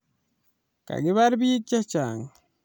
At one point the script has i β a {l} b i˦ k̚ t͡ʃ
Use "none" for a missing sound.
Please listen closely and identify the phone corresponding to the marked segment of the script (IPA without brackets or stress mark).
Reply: ɾ